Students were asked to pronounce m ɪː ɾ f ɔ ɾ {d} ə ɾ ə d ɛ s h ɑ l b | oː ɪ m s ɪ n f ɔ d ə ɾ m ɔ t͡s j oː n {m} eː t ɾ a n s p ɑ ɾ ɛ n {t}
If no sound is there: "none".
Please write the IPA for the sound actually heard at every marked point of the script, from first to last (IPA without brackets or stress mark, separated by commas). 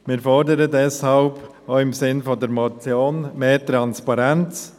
d, m, t͡s